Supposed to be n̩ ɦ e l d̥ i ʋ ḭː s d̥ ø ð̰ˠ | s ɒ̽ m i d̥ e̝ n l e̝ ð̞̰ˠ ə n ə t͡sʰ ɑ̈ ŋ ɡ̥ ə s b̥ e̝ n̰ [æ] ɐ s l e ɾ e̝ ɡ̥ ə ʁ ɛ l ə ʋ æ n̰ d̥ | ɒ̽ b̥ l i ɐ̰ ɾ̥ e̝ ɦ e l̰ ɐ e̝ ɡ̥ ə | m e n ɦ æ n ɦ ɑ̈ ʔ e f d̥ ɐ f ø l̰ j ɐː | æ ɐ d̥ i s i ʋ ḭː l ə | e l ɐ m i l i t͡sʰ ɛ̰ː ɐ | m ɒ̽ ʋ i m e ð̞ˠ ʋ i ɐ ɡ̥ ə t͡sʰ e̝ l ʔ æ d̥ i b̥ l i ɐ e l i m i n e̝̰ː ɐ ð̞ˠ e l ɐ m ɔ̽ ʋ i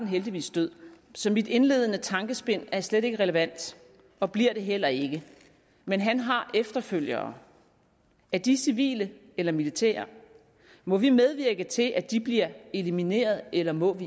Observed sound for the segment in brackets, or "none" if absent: æ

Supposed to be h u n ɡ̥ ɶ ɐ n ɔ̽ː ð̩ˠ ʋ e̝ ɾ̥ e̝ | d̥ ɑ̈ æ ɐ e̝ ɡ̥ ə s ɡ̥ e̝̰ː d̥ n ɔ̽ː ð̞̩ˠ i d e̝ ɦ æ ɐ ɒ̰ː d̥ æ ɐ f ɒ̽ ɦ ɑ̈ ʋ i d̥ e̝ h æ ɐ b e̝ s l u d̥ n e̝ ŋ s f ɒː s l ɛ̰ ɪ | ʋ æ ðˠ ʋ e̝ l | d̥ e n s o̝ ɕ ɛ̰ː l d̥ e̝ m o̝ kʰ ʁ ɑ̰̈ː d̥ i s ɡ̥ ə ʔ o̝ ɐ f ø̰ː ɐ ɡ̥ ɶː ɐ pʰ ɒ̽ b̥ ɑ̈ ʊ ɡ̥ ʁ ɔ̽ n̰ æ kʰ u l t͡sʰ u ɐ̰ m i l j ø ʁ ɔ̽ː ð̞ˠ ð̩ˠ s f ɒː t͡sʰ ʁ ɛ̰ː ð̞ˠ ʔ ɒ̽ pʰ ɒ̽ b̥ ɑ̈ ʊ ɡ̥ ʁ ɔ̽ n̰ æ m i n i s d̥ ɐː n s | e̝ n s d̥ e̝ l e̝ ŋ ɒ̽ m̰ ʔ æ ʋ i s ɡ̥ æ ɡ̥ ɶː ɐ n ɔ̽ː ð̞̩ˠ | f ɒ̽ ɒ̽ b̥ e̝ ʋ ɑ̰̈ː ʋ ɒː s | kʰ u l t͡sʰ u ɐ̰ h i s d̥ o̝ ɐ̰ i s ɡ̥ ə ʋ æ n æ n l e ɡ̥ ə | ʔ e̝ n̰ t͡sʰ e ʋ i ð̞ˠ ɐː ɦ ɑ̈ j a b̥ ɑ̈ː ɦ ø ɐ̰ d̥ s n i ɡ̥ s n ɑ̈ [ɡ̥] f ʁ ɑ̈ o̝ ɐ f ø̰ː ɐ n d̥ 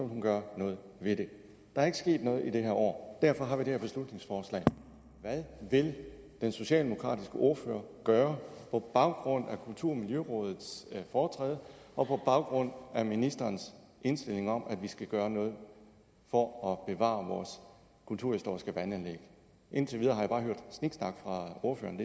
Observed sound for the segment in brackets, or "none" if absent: ɡ̥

